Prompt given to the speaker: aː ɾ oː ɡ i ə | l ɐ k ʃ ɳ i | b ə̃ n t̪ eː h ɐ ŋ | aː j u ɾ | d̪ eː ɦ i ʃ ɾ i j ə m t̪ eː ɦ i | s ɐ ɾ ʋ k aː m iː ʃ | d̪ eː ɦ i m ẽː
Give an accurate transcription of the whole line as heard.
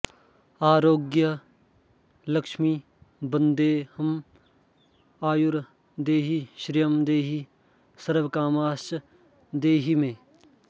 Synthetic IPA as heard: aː ɾ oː ɡ j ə | l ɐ k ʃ m i | b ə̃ n d̪ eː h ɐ m | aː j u ɾ | d̪ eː ɦ i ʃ ɾ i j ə m d̪ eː ɦ i | s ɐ ɾ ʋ k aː m aː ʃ | d̪ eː ɦ i m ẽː